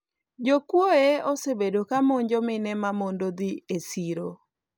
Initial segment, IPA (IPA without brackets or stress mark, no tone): d͡ʒ